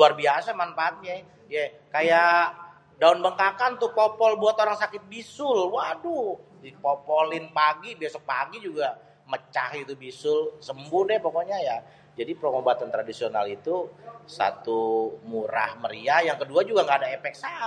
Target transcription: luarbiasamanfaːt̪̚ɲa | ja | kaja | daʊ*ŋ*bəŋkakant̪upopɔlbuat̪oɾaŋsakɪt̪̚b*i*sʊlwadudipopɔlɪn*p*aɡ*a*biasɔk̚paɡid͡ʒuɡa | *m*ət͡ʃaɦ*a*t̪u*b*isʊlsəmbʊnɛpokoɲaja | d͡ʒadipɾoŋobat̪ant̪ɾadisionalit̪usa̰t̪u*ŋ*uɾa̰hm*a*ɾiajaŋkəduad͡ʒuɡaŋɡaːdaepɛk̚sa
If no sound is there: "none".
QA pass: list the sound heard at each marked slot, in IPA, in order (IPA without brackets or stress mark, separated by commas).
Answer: n, i, p, i, m, i, b, m, ə